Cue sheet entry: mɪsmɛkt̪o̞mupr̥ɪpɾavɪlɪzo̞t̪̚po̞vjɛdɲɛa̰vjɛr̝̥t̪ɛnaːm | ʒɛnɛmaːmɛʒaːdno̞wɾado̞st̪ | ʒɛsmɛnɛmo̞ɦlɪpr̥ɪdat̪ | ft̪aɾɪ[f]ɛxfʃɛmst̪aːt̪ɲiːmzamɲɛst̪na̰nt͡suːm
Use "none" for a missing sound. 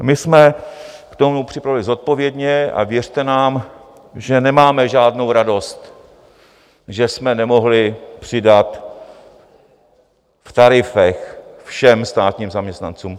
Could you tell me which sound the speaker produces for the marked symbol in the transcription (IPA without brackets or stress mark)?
f